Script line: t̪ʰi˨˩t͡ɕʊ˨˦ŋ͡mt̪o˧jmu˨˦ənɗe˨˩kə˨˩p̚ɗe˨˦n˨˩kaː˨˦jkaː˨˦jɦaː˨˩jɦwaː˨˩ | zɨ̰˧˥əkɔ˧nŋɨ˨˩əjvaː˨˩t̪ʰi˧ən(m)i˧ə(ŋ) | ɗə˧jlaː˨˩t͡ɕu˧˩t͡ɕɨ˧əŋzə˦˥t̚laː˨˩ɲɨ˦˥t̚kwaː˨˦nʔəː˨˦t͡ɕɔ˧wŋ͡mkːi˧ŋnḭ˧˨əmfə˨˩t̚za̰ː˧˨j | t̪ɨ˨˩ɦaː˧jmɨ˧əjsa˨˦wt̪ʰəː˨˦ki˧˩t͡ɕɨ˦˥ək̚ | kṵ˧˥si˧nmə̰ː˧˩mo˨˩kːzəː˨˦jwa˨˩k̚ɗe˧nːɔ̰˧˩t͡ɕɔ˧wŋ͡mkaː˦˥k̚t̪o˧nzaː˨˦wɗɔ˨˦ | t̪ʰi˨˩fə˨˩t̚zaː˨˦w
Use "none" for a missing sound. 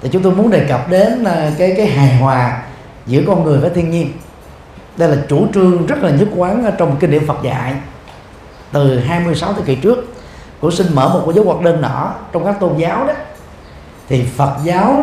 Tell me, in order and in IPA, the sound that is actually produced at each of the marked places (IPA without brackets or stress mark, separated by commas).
ɲ, n